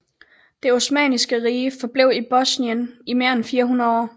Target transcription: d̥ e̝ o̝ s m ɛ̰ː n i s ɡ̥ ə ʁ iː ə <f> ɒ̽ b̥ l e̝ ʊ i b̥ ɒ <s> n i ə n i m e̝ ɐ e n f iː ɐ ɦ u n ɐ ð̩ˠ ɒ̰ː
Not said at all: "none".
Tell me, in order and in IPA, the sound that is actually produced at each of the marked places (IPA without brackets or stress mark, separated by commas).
f, s